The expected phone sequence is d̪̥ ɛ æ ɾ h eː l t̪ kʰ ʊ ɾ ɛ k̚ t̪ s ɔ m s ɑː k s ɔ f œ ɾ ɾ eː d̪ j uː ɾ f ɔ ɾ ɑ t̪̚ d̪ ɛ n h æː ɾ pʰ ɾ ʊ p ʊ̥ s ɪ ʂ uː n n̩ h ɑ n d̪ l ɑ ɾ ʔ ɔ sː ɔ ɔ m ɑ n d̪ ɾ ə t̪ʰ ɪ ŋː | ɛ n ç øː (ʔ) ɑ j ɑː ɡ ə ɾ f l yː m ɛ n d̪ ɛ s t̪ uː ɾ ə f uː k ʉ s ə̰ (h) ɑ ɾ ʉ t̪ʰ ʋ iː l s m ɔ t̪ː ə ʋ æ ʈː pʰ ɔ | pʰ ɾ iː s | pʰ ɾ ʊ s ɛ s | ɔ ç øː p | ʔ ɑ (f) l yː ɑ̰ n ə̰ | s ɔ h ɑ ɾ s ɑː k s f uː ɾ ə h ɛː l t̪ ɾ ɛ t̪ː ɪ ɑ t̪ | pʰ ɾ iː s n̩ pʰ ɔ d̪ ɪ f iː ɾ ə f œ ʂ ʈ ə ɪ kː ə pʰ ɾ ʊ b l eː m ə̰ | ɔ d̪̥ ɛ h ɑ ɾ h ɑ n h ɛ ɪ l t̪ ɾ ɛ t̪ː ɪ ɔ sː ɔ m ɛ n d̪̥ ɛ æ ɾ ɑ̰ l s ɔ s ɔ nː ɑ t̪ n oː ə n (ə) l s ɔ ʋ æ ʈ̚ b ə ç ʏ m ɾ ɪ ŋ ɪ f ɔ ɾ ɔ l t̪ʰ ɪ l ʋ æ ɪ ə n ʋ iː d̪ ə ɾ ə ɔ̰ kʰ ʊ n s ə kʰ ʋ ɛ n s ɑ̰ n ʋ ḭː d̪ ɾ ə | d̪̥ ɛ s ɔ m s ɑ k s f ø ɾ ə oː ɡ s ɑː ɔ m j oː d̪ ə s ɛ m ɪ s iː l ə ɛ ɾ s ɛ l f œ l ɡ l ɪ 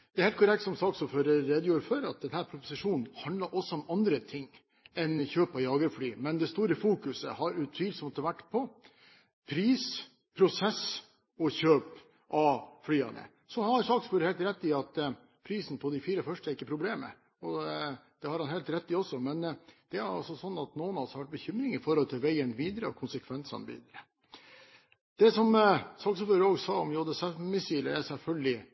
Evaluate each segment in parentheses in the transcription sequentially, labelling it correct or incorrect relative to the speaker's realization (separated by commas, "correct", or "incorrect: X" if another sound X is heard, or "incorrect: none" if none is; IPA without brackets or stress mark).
incorrect: p, correct, correct, incorrect: ɑ